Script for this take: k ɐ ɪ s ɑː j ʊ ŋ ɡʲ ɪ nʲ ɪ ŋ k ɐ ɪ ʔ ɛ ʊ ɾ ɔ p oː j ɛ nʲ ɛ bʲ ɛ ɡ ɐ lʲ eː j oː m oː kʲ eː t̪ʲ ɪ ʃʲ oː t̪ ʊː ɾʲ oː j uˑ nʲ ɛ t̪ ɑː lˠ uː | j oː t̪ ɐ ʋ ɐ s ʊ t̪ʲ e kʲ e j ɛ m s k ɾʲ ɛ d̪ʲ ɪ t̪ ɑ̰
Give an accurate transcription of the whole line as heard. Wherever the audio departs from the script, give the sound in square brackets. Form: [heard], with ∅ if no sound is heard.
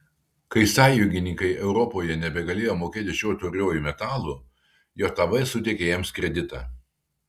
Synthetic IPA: k ɐ ɪ s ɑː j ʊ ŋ ɡʲ ɪ nʲ ɪ ŋ k ɐ ɪ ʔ ɛ ʊ ɾ ɔ p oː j ɛ nʲ ɛ bʲ ɛ ɡ ɐ lʲ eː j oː m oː kʲ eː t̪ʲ ɪ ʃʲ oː t̪ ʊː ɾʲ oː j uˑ [mʲ] ɛ t̪ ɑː lˠ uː | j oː t̪ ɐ ʋ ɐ s ʊ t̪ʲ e kʲ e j ɛ m s k ɾʲ ɛ d̪ʲ ɪ t̪ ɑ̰

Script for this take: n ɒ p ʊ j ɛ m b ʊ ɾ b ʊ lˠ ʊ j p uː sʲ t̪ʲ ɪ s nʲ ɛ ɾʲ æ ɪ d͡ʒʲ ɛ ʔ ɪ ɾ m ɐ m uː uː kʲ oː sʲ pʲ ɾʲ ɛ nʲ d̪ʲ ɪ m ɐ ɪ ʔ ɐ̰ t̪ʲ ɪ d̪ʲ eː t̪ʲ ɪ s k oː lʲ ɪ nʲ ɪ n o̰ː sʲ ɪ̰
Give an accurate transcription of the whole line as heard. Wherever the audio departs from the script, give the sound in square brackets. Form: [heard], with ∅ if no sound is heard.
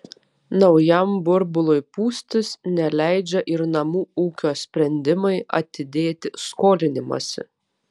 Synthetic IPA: n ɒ [∅] ʊ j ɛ m b ʊ ɾ b ʊ lˠ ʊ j p uː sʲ t̪ʲ ɪ s nʲ ɛ [lʲ] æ ɪ d͡ʒʲ ɛ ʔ ɪ ɾ [n] ɐ m uː uː kʲ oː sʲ pʲ ɾʲ ɛ nʲ d̪ʲ ɪ m ɐ ɪ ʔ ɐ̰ t̪ʲ ɪ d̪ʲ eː t̪ʲ ɪ s k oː lʲ ɪ nʲ ɪ [m] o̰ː sʲ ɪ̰

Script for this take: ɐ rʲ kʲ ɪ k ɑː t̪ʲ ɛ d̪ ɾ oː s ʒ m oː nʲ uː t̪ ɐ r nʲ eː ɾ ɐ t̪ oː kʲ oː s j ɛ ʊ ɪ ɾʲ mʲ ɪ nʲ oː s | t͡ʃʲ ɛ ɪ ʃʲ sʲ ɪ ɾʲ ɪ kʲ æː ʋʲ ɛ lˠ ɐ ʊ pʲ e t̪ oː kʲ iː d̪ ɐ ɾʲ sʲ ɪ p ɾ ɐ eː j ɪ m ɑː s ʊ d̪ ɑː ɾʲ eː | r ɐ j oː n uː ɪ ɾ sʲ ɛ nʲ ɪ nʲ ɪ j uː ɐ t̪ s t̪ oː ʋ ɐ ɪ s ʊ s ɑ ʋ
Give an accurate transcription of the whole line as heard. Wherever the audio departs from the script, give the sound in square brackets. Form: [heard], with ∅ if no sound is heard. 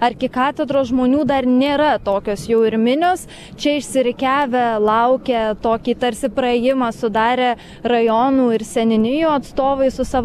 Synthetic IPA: ɐ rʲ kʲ ɪ k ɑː t̪ʲ ɛ d̪ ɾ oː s ʒ m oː nʲ uː [d̪] ɐ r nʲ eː ɾ ɐ t̪ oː kʲ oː s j ɛ ʊ ɪ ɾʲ mʲ ɪ nʲ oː s | t͡ʃʲ ɛ ɪ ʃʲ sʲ ɪ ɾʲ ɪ kʲ æː ʋʲ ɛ lˠ ɐ ʊ [kʲ] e t̪ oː kʲ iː [t̪] ɐ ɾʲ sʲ ɪ p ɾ ɐ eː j ɪ m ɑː s ʊ d̪ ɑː ɾʲ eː | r ɐ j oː n uː ɪ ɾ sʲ ɛ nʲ ɪ nʲ ɪ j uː ɐ t̪ s t̪ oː ʋ ɐ ɪ s ʊ s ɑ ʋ

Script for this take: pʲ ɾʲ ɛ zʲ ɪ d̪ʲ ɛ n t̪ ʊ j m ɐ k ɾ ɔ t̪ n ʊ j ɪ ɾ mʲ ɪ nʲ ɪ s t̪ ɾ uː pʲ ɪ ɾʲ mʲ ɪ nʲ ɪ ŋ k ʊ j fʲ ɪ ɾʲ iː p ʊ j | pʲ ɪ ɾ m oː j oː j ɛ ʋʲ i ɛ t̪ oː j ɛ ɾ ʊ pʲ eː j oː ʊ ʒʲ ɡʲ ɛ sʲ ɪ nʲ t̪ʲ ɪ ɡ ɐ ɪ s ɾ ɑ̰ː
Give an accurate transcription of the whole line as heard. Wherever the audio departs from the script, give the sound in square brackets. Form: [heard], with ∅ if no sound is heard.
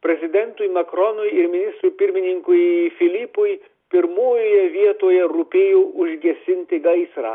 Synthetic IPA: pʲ ɾʲ ɛ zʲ ɪ d̪ʲ ɛ n t̪ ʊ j m ɐ k ɾ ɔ [∅] n ʊ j ɪ ɾ mʲ ɪ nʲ ɪ s t̪ ɾ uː pʲ ɪ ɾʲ mʲ ɪ nʲ ɪ ŋ k ʊ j fʲ ɪ [lʲ] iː p ʊ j | pʲ ɪ ɾ m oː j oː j ɛ ʋʲ i ɛ t̪ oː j ɛ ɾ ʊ pʲ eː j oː ʊ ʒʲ ɡʲ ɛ sʲ ɪ nʲ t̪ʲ ɪ ɡ ɐ ɪ s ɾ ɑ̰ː

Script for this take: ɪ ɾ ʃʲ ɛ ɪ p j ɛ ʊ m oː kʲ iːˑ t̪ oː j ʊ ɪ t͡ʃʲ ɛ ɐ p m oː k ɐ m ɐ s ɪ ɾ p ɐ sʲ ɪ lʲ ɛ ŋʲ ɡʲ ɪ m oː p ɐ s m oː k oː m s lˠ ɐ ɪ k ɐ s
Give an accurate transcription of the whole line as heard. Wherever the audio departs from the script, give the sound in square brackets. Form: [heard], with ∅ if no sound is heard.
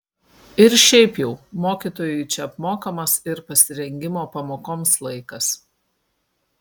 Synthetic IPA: ɪ ɾ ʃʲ ɛ ɪ p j ɛ ʊ m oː kʲ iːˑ t̪ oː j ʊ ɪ t͡ʃʲ ɛ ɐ p m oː k ɐ m ɐ s ɪ ɾ p ɐ sʲ ɪ [ɾʲ] ɛ ŋʲ ɡʲ ɪ m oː p ɐ [∅] m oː k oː m s lˠ ɐ ɪ k ɐ s

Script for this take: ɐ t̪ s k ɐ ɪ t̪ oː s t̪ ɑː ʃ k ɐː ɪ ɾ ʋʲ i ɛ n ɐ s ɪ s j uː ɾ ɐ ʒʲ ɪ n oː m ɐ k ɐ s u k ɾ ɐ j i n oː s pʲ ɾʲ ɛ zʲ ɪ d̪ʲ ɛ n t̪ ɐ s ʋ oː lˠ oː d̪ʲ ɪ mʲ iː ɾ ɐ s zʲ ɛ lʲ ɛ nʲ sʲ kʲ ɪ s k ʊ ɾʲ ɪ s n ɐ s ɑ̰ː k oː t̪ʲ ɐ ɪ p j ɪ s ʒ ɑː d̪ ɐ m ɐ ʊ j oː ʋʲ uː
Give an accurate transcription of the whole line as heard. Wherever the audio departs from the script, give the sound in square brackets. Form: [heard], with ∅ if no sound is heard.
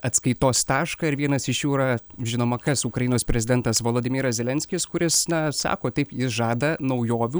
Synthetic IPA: ɐ t̪ s k ɐ ɪ t̪ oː s t̪ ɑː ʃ k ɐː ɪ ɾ ʋʲ i ɛ n ɐ s ɪ [ʃ] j uː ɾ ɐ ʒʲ ɪ n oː m ɐ k ɐ s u k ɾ ɐ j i n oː s pʲ ɾʲ ɛ zʲ ɪ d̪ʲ ɛ n t̪ ɐ s ʋ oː lˠ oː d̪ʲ ɪ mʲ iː ɾ ɐ s zʲ ɛ lʲ ɛ nʲ sʲ kʲ ɪ s k ʊ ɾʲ ɪ s n ɐ s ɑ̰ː k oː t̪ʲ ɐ ɪ p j ɪ s ʒ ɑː d̪ ɐ [n] ɐ ʊ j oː ʋʲ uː

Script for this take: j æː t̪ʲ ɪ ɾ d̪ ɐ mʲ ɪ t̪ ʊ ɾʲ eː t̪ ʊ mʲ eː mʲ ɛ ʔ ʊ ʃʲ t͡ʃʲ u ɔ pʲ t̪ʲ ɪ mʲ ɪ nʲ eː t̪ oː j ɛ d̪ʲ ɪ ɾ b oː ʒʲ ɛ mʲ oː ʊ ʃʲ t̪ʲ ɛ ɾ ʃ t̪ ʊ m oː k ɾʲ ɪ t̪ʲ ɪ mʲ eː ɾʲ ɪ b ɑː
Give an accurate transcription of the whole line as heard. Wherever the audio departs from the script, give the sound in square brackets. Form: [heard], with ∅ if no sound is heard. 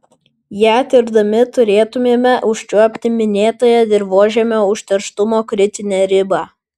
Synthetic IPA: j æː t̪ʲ ɪ ɾ d̪ ɐ mʲ ɪ t̪ ʊ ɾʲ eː t̪ ʊ mʲ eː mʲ ɛ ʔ ʊ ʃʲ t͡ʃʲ u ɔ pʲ t̪ʲ ɪ mʲ ɪ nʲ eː t̪ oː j ɛ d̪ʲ ɪ ɾ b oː ʒʲ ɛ mʲ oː ʊ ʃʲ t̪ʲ ɛ ɾ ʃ t̪ ʊ m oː k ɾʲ ɪ t̪ʲ ɪ [nʲ] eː ɾʲ ɪ b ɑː

